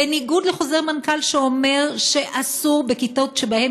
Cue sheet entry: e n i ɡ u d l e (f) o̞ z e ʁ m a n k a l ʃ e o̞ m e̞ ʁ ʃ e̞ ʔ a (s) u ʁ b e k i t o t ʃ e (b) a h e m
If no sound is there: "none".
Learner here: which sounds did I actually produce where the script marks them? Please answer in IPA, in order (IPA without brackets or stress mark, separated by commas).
χ, s, b